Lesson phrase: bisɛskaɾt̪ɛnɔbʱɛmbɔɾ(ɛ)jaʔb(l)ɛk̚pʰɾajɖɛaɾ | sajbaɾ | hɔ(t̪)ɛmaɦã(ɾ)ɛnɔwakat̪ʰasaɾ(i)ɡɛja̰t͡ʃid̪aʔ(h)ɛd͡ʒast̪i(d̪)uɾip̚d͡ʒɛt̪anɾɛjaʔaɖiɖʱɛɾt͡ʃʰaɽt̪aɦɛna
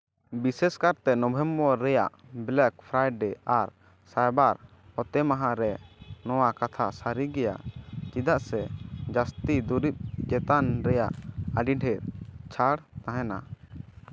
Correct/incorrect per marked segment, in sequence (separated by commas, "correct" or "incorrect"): correct, correct, correct, correct, correct, incorrect, correct